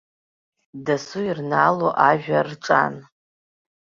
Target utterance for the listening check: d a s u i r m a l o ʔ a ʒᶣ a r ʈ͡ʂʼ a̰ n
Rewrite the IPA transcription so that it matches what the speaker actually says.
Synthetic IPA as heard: d a s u i r n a l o ʔ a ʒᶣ a r ʈ͡ʂʼ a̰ n